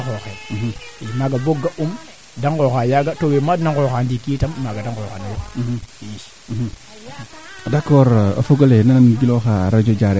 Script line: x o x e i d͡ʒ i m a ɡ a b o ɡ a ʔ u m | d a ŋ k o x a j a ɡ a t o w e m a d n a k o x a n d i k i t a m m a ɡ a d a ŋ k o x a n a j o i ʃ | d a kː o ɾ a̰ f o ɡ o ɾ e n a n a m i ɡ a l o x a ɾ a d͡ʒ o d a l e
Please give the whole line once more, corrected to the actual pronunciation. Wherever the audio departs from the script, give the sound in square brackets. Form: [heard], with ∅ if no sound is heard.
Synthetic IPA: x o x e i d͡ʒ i m a ɡ a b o ɡ a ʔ u m | d a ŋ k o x a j a ɡ a t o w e m a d n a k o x a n d i k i t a m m a ɡ a d a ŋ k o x a n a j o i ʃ | d a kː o ɾ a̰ f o ɡ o [l] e n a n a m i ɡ [i] l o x a ɾ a d͡ʒ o [d͡ʒ] a [ɾ] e

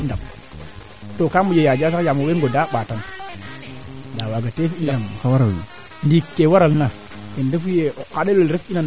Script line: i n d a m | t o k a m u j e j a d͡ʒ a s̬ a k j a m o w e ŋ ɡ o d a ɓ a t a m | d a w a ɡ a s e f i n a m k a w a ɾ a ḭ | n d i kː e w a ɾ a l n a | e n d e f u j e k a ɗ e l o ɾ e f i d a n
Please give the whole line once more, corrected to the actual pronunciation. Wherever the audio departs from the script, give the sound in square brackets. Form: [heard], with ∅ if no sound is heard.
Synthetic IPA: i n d a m | t o k a m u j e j a d͡ʒ a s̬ a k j a m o w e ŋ ɡ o d a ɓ a t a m | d a w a ɡ a [t] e f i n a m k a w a ɾ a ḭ | n d i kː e w a ɾ a l n a | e n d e f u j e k a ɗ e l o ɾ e f i [n] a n

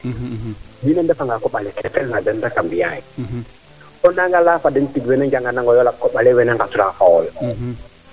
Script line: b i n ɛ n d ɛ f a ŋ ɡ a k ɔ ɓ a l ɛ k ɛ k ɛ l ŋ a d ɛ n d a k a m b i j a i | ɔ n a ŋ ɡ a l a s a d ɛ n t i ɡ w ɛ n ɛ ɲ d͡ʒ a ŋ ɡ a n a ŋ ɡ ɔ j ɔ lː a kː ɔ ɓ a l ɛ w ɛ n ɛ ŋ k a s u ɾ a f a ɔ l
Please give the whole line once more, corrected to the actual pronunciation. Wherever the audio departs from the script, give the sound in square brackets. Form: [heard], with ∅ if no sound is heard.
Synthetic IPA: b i n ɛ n d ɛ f a ŋ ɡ a k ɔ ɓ a l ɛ k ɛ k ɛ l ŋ a d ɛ n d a k a m b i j a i | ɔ n a ŋ ɡ a l a [f] a d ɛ n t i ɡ w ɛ n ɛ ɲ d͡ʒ a ŋ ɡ a n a ŋ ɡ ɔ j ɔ [l] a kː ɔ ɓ a l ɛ w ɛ n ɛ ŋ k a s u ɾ a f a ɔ l

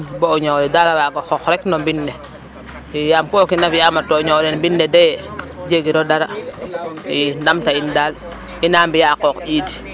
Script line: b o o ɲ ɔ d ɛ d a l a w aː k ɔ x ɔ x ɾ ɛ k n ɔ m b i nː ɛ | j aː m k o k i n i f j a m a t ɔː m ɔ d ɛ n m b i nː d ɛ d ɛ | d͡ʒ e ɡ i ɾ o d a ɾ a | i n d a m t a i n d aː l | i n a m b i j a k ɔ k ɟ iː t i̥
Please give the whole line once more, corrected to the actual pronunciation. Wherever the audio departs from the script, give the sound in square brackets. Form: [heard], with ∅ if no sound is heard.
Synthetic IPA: b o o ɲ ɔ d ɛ d a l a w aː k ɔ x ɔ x ɾ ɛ k n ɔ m b i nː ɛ | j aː m k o k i n [a] f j a m a t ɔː [ɲ] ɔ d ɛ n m b i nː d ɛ d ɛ | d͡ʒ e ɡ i ɾ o d a ɾ a | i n d a m t a i n d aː l | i n a m b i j a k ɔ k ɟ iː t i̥

